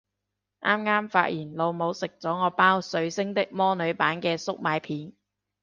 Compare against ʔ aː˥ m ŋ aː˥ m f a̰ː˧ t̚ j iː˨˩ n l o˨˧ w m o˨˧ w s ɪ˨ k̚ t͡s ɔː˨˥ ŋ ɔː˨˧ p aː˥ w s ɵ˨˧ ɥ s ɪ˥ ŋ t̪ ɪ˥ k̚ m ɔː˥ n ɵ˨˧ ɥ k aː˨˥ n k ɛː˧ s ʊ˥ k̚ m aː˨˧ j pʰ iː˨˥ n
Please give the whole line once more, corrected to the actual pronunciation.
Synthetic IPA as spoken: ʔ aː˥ m ŋ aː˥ m f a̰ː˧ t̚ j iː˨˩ n l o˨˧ w m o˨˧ w s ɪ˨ k̚ t͡s ɔː˨˥ ŋ ɔː˨˧ p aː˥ w s ɵ˨˧ ɥ s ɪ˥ ŋ t̪ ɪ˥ k̚ m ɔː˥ n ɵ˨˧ ɥ p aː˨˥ n k ɛː˧ s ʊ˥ k̚ m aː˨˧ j pʰ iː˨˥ n